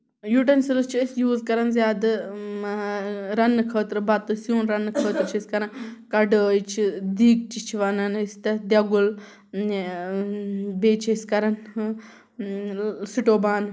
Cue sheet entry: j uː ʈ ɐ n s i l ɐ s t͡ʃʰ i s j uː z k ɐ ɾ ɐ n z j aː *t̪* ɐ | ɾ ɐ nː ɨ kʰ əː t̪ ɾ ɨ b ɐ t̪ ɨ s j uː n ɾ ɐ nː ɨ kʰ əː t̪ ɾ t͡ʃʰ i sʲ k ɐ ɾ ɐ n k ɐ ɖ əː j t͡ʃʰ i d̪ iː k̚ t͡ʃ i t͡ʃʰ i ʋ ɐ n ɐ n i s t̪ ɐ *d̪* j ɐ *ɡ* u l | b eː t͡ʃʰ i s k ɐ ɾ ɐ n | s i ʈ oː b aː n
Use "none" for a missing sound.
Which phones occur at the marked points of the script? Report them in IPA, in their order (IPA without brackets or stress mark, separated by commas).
d̪, d̪, ɡ